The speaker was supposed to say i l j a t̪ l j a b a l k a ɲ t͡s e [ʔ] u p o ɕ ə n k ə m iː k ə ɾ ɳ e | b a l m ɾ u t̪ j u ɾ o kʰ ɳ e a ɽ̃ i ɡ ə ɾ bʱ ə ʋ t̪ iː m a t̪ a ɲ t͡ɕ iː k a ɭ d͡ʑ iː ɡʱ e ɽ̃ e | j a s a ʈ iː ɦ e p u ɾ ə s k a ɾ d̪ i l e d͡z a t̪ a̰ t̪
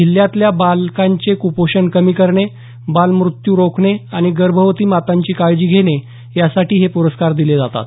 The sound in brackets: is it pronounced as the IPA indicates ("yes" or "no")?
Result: no